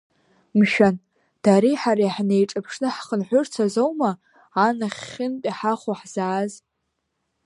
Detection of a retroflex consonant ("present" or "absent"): present